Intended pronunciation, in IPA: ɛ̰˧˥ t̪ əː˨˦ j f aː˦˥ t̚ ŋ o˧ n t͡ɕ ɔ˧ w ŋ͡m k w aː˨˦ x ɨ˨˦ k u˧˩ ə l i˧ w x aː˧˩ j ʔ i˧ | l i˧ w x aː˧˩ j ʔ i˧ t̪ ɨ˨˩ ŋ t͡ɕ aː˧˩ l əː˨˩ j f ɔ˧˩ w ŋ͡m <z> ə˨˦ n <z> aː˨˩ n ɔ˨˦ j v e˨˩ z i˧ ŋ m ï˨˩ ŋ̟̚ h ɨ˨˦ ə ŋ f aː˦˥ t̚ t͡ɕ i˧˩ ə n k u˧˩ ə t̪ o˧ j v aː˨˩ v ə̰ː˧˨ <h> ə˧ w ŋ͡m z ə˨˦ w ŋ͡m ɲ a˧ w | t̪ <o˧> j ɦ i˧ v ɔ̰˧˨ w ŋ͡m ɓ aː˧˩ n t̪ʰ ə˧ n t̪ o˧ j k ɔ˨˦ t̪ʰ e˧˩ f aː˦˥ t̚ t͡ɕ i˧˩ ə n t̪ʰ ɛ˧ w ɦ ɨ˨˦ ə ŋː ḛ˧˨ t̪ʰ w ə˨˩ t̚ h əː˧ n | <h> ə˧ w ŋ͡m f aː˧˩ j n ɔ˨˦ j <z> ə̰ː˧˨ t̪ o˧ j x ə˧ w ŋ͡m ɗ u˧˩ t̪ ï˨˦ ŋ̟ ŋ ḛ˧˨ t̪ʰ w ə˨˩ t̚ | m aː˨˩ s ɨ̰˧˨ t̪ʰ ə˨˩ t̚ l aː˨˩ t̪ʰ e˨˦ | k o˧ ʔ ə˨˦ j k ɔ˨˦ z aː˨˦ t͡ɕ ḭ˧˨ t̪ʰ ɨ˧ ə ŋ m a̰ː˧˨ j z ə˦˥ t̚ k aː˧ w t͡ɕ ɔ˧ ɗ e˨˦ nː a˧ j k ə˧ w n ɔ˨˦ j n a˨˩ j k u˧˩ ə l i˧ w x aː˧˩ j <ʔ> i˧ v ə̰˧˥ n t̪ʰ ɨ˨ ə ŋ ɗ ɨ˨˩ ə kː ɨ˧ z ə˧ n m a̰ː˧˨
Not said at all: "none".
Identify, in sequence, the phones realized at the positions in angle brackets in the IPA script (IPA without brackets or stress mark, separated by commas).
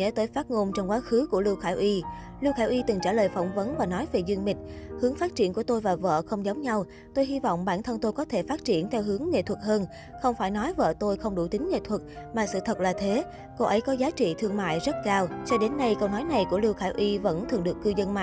v, v, x, o˧, x, v, ʔ